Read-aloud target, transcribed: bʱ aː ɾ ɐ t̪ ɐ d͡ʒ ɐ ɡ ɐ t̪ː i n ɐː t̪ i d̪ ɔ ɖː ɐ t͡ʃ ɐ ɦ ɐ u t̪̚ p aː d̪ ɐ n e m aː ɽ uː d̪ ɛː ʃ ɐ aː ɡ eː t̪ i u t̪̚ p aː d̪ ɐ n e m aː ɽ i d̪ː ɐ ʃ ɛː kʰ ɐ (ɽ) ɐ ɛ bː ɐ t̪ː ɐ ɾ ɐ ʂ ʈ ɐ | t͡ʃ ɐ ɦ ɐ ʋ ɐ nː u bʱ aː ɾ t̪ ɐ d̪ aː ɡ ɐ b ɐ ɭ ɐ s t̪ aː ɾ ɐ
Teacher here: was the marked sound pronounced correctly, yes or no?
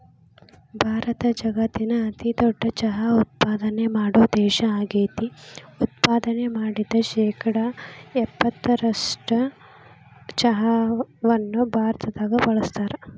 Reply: yes